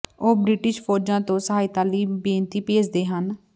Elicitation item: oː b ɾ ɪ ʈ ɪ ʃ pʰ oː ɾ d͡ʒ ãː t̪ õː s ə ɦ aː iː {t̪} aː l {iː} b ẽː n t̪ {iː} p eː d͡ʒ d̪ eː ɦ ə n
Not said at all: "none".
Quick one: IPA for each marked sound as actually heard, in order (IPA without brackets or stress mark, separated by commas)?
t̪, iː, iː